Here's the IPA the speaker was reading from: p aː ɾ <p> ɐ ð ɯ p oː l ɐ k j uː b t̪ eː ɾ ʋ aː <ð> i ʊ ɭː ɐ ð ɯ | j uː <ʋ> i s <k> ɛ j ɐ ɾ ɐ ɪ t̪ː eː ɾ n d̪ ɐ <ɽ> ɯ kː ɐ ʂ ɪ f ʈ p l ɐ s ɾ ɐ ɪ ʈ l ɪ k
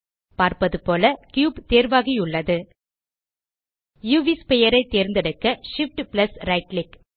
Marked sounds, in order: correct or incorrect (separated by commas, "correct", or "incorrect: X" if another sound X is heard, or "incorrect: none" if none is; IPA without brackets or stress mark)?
correct, incorrect: ɣ, correct, incorrect: p, correct